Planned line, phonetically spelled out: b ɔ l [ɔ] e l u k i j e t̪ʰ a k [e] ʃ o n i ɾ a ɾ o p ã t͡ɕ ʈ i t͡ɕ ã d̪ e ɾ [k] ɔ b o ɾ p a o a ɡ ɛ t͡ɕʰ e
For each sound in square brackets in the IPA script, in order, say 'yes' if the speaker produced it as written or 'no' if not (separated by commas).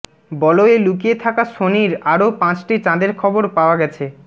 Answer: no, no, no